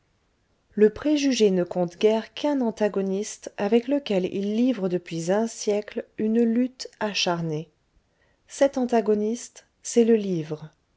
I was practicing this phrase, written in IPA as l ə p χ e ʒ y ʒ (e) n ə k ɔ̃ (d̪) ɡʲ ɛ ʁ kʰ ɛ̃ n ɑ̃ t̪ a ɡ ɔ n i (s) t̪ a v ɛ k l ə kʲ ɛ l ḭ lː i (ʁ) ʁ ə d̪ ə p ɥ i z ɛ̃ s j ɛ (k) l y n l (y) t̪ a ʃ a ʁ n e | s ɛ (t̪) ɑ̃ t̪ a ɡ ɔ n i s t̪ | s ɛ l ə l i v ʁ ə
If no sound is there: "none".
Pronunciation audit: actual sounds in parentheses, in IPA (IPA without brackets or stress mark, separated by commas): e, t̪, s, v, k, y, t̪